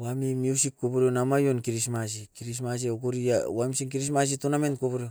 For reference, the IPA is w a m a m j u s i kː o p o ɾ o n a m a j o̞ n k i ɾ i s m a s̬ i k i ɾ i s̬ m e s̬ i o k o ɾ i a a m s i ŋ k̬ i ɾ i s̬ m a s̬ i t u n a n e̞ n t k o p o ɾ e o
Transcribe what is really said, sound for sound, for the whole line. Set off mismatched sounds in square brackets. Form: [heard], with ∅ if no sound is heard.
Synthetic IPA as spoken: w a m [i] m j u s i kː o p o ɾ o n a m a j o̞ n k i ɾ i s m a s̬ i k i ɾ i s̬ m [a] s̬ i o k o ɾ i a a m s i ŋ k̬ i ɾ i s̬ m a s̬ i t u n a [m] e̞ n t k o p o ɾ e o

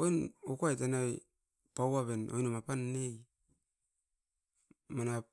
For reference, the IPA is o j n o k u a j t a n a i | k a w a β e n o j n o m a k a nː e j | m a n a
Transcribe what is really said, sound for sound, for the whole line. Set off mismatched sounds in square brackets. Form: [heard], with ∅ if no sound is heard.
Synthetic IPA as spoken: o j n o k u a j t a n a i | [p] a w a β e n o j n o m a [p] a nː e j | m a n a

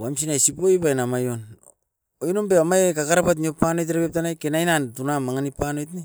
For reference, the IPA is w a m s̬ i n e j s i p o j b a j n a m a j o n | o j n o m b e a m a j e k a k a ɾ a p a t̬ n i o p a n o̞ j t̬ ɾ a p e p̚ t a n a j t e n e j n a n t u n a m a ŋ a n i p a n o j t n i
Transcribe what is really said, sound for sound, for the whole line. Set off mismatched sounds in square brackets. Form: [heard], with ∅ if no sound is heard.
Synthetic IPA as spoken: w a m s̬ i n [a] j s i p o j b a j n a m a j o n | o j n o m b e a m a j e k a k a ɾ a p a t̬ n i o p a n o̞ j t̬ ɾ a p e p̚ t a n a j [k] e n [a] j n a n t u n a m a ŋ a n i p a n o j t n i

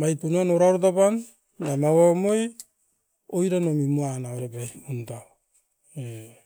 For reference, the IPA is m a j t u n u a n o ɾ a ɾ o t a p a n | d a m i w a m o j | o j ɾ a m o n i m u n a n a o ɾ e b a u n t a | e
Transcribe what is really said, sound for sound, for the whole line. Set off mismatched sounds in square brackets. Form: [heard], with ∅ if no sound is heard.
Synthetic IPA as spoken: m a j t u n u a n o ɾ a ɾ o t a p a n | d a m [a] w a m o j | o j ɾ a [n] o [m] i m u [∅] a n a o ɾ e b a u n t a | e

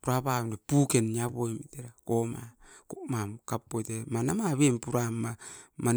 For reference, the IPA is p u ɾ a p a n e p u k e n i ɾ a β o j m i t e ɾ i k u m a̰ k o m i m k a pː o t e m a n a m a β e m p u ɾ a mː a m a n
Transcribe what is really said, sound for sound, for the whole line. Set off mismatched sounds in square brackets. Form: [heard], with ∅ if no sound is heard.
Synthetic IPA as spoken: p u ɾ a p a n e p u k e n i [∅] a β o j m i t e ɾ [a] k [o] m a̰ k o m [a] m k a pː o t e m a n a m a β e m p u ɾ a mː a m a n

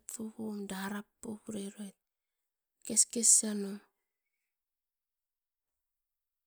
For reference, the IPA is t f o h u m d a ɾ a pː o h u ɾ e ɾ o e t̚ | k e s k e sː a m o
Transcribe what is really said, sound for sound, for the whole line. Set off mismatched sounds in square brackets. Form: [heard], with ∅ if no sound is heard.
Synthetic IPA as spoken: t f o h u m d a ɾ a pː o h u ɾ e ɾ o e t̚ | k e s k e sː a [n] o

